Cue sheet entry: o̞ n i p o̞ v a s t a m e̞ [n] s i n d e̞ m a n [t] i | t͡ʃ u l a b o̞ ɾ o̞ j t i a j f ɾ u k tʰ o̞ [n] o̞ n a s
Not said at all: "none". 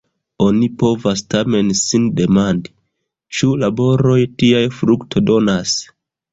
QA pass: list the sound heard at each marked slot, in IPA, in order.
n, d, d

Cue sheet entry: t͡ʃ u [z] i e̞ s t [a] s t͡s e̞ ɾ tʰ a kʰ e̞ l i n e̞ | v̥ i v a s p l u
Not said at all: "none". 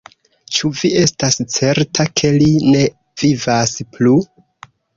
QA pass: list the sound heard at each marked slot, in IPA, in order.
v, a

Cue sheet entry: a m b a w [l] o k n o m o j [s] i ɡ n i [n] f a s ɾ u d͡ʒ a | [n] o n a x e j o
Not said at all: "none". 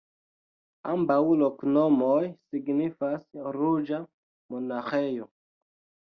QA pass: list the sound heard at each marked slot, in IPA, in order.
l, s, none, m

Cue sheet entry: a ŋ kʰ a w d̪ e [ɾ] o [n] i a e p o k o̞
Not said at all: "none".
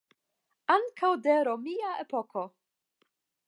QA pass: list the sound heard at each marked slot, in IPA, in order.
ɾ, m

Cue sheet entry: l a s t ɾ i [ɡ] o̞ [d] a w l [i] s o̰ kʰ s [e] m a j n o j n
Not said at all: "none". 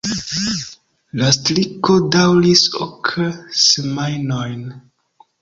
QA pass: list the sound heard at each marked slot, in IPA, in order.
k, d, i, e

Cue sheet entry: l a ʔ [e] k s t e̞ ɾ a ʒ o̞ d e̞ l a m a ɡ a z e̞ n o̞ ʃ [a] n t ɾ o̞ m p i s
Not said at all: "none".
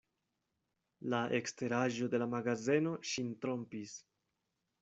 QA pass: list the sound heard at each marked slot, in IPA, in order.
e, i

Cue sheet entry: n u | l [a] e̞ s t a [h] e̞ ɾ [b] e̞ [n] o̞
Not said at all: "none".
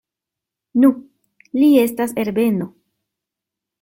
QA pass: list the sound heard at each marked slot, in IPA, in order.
i, s, b, n

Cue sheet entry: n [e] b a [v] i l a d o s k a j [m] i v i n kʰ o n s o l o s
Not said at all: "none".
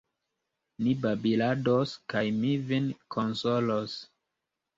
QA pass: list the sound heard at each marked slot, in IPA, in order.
i, b, m

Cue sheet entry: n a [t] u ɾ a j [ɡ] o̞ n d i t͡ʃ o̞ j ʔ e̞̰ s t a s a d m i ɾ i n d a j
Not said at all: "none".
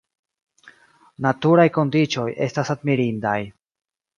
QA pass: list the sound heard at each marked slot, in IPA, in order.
t, k

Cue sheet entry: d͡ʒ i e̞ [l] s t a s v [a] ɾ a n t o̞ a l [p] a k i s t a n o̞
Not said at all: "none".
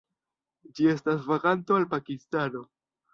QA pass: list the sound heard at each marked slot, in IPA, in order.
none, a, p

